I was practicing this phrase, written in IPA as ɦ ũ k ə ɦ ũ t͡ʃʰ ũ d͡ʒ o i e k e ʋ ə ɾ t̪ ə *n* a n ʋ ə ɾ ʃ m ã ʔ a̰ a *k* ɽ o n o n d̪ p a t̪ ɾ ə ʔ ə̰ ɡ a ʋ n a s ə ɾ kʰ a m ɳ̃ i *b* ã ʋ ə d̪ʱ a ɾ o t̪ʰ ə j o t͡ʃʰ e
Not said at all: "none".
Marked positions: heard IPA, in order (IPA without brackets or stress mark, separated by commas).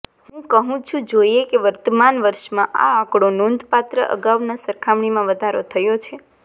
m, k, m